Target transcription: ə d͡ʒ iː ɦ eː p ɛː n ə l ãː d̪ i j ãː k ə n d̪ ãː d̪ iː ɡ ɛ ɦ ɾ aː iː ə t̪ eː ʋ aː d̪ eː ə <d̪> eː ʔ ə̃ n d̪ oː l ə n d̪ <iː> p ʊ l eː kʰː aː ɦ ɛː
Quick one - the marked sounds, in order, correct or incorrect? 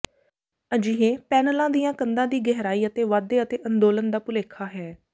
incorrect, incorrect

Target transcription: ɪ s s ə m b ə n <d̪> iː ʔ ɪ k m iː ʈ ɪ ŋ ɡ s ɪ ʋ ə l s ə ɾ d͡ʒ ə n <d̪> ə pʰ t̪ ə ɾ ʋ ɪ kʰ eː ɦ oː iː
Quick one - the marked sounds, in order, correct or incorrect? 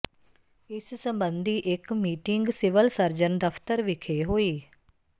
correct, correct

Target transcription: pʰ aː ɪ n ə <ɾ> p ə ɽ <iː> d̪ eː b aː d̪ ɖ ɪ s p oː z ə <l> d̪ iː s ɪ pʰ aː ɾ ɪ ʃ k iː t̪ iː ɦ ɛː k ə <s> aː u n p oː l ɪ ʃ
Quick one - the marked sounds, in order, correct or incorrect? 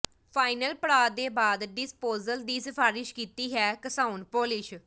incorrect, incorrect, correct, correct

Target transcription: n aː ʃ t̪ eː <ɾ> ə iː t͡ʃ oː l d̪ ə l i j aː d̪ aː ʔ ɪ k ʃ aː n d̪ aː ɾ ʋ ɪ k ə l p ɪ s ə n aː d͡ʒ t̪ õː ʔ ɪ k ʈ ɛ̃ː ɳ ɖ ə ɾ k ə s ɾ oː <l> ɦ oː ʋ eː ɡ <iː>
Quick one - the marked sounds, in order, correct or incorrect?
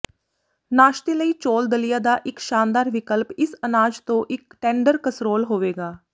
incorrect, correct, incorrect

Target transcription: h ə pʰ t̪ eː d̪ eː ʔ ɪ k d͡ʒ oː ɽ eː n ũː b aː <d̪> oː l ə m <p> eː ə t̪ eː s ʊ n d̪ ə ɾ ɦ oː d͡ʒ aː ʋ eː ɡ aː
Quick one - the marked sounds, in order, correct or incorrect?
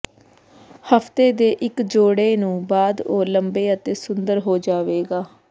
correct, incorrect

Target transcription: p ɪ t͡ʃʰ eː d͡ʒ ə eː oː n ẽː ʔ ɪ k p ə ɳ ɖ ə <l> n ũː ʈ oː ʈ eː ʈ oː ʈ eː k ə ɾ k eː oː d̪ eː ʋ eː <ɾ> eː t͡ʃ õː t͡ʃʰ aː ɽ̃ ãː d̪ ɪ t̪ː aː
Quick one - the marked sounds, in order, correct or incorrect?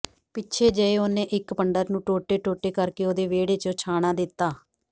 incorrect, incorrect

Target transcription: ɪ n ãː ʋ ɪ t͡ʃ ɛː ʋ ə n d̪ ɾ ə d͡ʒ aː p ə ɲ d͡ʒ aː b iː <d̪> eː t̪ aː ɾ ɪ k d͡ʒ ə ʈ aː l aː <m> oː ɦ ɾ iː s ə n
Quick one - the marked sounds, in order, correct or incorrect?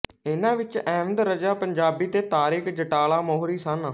incorrect, correct

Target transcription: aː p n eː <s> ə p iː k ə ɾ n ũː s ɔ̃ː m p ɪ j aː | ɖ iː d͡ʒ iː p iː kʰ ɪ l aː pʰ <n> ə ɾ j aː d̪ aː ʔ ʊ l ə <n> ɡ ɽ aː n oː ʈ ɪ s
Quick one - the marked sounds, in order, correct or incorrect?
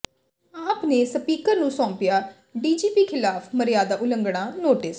correct, incorrect, incorrect

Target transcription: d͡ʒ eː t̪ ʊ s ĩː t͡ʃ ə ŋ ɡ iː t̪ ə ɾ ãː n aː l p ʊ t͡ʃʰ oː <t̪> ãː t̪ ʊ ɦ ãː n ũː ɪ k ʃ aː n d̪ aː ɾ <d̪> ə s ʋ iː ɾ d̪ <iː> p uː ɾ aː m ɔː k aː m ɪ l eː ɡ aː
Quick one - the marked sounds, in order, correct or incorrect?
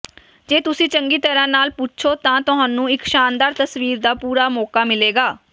correct, incorrect, incorrect

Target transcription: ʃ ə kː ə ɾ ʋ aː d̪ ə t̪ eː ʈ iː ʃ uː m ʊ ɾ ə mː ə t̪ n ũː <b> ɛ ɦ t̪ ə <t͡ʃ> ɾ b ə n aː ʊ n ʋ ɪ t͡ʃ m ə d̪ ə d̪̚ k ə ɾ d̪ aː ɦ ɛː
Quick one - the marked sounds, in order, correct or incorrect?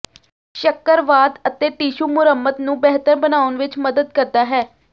correct, incorrect

